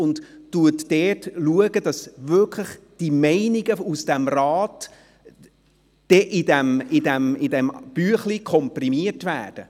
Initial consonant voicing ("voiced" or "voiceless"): voiced